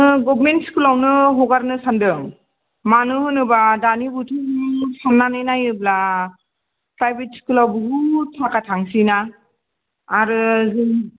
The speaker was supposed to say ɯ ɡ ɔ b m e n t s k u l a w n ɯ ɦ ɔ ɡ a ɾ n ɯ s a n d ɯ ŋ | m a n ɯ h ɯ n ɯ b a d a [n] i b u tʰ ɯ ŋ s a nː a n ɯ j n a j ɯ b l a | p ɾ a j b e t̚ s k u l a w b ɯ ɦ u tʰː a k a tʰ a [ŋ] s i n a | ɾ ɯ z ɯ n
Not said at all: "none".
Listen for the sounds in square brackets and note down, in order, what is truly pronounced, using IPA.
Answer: n, ŋ

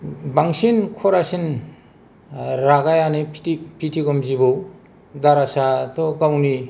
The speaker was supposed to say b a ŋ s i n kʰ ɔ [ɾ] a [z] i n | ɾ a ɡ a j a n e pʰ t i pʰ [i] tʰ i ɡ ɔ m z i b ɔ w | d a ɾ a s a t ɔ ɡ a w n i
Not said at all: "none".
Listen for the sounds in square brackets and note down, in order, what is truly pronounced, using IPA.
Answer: ɾ, s, i

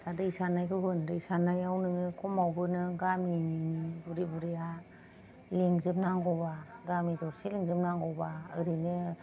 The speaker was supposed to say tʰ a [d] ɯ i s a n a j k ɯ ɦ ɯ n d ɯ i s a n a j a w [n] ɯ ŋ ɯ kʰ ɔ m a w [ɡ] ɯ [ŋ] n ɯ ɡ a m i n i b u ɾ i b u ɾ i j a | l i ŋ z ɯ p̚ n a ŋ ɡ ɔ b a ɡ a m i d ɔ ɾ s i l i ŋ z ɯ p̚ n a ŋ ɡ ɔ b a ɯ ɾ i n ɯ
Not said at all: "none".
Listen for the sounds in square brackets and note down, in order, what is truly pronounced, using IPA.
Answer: d, n, b, none

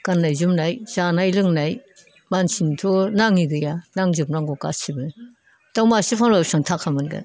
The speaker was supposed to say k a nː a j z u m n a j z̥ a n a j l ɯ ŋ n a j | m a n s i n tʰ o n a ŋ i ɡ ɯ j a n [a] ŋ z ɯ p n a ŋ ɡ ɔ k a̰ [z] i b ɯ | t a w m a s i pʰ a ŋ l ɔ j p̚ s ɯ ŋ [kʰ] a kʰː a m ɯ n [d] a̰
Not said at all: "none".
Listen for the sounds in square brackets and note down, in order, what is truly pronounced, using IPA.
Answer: a, s, tʰ, ɡ

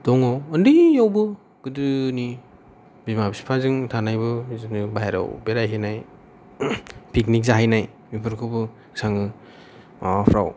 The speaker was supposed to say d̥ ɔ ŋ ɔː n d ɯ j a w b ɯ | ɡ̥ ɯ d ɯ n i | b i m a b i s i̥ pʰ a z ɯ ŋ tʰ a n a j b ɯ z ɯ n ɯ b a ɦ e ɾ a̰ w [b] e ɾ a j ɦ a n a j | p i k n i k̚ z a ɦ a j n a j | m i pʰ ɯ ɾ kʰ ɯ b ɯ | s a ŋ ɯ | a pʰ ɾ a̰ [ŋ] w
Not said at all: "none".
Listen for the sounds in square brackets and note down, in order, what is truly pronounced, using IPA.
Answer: b, none

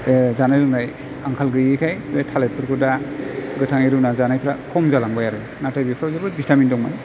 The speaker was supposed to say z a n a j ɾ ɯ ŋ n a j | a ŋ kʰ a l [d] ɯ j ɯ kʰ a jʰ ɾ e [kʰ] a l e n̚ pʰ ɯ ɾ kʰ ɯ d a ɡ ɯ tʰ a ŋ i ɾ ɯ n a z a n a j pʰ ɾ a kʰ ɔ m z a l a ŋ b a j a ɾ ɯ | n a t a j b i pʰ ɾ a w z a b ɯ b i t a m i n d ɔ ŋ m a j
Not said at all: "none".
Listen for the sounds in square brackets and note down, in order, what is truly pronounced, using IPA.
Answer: ɡ, tʰ

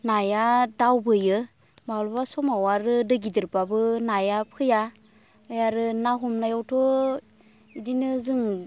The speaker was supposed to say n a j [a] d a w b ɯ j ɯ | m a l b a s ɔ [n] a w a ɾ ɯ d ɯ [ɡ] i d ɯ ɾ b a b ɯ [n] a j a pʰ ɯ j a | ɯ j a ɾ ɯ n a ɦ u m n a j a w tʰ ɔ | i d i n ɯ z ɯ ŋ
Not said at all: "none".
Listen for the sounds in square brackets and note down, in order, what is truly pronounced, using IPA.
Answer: a, m, ɡ, n

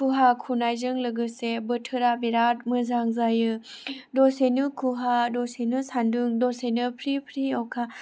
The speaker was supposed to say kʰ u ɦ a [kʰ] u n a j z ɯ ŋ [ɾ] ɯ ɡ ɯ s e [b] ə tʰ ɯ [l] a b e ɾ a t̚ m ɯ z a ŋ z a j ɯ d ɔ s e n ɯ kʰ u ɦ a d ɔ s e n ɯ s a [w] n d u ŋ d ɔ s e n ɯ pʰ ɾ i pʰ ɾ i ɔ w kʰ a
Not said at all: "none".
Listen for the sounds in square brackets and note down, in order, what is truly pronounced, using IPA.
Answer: kʰ, l, b, ɾ, none

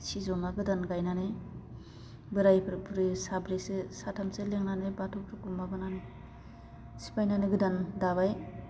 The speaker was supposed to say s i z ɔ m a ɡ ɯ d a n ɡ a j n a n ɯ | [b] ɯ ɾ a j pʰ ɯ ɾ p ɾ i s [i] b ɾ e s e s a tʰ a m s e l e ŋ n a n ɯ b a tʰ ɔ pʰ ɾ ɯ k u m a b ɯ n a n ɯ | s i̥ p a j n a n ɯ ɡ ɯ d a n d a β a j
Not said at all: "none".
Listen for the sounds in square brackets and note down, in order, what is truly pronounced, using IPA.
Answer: b, a

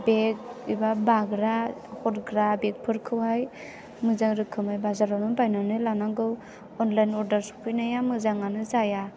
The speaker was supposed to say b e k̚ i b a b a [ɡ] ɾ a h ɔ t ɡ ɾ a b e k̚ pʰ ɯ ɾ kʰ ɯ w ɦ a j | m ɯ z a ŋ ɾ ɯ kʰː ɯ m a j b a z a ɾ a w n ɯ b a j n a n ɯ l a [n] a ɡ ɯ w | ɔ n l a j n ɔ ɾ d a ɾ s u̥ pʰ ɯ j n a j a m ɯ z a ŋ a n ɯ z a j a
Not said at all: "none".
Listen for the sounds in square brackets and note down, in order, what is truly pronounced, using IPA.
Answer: ɡ, n

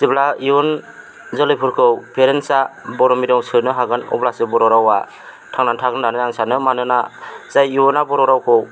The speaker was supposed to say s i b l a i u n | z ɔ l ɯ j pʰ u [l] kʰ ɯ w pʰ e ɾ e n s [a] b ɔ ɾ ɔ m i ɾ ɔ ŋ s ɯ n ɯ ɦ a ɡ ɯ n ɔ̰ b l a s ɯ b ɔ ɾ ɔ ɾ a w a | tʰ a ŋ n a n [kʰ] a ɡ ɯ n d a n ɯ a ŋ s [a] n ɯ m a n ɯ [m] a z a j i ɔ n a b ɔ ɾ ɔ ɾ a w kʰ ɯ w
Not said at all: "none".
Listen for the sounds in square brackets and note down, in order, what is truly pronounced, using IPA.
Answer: ɾ, a, tʰ, a, n

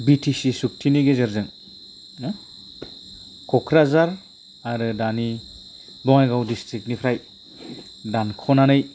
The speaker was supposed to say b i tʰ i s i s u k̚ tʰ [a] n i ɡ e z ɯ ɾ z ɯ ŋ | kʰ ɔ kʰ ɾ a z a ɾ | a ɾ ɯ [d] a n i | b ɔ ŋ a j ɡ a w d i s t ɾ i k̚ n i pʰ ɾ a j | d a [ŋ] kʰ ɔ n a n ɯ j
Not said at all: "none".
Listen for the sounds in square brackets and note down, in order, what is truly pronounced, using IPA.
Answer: i, d, n

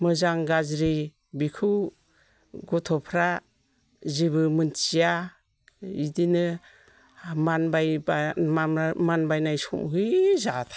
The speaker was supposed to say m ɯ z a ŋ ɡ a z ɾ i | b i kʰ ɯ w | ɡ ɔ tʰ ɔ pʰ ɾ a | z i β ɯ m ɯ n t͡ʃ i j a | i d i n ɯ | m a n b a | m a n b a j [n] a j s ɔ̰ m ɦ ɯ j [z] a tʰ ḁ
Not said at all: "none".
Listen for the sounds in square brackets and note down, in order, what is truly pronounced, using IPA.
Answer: n, z

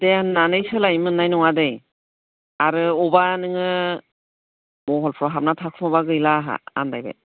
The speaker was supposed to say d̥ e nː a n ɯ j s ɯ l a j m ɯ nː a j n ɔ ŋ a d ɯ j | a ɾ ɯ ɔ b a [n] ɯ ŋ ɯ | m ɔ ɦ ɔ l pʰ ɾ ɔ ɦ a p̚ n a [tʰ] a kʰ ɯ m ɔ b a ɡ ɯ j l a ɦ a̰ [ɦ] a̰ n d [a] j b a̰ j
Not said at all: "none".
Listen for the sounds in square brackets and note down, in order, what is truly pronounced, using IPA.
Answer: n, tʰ, none, a

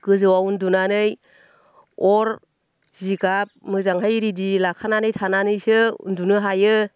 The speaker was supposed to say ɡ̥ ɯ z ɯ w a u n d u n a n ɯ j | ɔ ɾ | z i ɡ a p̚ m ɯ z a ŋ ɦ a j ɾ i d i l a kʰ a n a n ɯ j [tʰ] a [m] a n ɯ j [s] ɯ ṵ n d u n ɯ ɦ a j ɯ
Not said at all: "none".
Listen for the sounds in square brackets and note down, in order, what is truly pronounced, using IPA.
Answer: tʰ, n, s

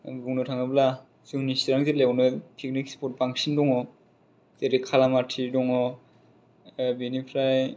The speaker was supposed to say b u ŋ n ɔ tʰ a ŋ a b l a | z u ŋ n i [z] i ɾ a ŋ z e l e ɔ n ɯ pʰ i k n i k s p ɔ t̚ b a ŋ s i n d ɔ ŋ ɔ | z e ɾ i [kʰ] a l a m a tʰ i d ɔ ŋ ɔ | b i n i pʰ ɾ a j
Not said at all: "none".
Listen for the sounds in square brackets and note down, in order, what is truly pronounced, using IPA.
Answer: s, kʰ

